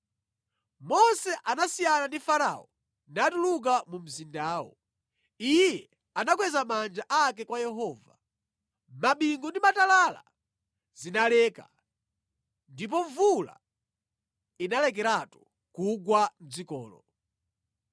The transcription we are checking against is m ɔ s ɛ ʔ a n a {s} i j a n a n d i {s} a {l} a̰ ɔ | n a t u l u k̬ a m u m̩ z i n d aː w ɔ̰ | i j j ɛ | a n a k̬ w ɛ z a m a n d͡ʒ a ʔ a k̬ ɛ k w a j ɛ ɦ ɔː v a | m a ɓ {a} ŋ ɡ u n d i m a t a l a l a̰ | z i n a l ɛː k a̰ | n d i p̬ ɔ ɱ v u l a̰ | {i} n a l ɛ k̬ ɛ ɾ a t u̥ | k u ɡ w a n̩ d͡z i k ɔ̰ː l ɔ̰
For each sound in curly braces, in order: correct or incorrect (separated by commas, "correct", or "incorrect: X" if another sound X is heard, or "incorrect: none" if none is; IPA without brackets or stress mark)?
correct, incorrect: f, incorrect: ɾ, incorrect: i, correct